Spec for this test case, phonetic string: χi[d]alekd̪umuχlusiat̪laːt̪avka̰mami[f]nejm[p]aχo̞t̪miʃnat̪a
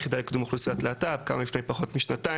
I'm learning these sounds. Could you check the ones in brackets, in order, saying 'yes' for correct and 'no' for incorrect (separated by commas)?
yes, yes, yes